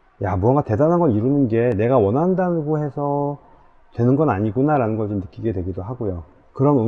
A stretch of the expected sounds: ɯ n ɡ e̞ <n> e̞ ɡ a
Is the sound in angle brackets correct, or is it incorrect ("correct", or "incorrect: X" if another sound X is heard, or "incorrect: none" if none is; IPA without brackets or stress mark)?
correct